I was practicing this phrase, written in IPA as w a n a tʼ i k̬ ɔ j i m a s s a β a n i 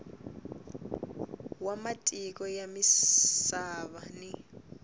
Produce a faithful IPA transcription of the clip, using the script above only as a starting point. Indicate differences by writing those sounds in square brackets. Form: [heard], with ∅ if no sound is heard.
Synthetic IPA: w a [m] a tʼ i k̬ ɔ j [a] m [i] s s a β a n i

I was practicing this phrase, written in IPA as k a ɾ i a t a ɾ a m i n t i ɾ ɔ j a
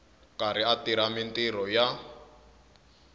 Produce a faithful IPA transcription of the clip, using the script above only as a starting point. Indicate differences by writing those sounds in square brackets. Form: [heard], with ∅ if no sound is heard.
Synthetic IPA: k a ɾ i a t [i] ɾ a m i n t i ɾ ɔ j a

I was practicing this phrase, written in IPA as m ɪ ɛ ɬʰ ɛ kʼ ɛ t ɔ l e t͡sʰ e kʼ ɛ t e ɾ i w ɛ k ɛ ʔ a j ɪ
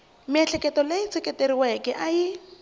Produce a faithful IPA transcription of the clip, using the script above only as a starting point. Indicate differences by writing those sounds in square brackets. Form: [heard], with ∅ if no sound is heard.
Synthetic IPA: m ɪ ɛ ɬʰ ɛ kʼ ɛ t ɔ l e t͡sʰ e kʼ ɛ t e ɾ i w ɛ k ɛ ʔ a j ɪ

